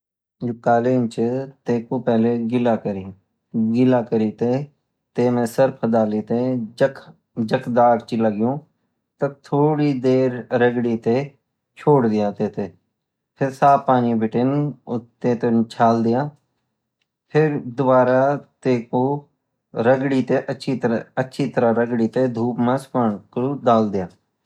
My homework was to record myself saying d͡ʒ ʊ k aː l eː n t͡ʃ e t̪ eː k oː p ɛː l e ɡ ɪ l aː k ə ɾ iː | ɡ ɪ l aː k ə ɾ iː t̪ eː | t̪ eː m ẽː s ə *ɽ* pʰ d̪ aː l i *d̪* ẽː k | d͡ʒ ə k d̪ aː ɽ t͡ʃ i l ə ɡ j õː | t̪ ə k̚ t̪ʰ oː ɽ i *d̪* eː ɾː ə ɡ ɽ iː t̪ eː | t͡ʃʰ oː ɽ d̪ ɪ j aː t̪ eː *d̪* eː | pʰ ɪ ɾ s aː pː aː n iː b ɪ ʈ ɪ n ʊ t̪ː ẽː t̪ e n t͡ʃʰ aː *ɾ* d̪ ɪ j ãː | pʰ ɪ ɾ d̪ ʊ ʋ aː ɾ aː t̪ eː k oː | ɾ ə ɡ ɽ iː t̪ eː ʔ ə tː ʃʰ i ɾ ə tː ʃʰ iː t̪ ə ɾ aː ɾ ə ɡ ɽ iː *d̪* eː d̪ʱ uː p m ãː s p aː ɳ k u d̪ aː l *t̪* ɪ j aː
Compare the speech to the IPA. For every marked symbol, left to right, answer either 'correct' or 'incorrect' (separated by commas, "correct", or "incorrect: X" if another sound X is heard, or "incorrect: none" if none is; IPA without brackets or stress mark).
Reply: incorrect: ɾ, incorrect: t̪, correct, incorrect: t̪, incorrect: l, incorrect: t̪, incorrect: d̪